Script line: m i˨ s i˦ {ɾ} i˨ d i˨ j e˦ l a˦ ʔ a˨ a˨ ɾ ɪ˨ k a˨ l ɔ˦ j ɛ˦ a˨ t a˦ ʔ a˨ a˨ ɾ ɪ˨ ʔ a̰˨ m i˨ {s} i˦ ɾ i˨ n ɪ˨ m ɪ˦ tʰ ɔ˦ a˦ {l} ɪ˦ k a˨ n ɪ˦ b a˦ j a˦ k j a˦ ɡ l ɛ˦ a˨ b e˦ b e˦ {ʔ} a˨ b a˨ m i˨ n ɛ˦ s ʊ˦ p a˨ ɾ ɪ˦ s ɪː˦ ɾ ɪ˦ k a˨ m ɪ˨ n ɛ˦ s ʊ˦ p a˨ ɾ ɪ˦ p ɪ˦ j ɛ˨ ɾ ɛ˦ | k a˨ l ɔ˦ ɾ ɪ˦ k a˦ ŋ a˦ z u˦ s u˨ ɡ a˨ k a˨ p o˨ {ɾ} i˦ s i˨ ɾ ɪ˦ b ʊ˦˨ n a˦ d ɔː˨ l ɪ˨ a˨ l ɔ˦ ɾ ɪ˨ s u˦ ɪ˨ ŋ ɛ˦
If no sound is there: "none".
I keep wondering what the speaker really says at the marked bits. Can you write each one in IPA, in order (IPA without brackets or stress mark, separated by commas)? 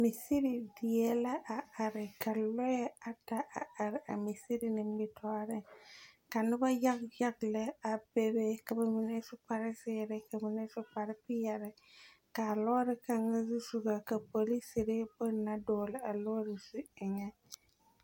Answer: ɾ, s, ɾ, k, l